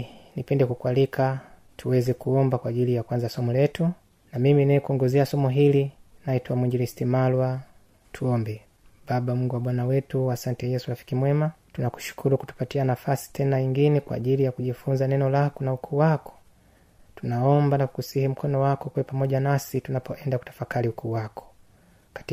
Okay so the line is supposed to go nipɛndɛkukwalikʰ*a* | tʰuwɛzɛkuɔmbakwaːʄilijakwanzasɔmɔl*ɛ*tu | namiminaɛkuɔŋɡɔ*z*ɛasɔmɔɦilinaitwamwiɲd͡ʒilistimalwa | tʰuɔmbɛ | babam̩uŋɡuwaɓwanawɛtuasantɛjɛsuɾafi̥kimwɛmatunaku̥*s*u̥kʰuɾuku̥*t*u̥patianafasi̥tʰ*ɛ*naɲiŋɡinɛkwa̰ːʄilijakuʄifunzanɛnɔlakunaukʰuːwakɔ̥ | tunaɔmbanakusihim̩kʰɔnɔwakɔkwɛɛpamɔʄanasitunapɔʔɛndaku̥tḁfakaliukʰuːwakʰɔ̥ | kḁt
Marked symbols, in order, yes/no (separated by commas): yes, yes, yes, no, yes, yes